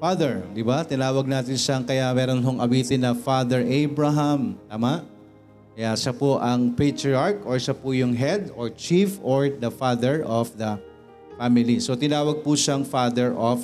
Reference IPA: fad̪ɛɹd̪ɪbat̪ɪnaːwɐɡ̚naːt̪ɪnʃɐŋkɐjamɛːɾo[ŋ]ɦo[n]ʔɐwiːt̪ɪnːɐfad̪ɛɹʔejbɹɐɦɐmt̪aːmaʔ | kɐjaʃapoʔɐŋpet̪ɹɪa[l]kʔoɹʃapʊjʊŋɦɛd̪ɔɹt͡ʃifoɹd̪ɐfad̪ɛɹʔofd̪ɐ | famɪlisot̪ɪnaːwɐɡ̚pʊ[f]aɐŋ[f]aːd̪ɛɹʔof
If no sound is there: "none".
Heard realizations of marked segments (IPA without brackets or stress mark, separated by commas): n, ŋ, ɹ, ʃ, f